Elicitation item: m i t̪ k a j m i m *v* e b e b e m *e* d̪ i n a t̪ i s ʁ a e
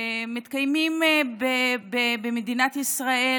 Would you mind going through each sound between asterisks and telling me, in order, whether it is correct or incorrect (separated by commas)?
incorrect, correct